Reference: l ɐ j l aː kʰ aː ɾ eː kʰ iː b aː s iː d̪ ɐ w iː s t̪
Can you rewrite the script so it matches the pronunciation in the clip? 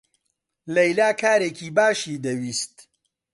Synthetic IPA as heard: l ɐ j l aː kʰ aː ɾ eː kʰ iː b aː ʃ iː d̪ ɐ w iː s t̪